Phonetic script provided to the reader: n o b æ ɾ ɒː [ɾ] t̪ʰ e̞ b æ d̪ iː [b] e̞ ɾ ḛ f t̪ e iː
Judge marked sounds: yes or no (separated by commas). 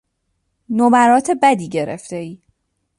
no, no